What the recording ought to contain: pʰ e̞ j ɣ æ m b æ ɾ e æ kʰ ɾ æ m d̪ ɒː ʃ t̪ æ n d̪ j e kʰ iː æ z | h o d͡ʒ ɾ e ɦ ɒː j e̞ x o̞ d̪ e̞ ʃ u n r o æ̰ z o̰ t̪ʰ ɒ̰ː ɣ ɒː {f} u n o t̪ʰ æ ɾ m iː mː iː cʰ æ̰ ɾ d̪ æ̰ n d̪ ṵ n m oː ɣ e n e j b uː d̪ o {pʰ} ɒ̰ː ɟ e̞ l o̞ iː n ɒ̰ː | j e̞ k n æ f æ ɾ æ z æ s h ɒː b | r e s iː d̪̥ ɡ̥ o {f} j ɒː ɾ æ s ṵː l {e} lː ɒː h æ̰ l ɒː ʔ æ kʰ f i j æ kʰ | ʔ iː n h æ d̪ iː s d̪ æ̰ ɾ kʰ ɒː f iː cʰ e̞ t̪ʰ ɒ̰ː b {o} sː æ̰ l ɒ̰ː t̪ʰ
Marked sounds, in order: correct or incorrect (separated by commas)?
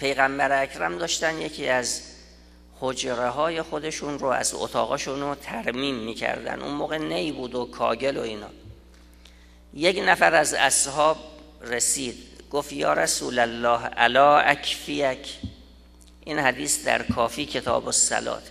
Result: incorrect, incorrect, correct, incorrect, correct